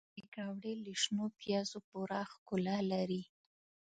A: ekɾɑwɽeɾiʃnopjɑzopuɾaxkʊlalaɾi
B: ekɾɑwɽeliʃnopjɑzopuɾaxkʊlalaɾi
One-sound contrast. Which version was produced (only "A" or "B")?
B